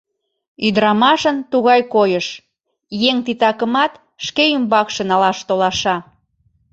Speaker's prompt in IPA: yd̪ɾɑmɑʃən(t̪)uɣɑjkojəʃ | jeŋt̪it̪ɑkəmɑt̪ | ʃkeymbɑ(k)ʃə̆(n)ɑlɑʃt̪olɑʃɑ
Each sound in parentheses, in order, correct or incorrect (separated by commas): correct, correct, correct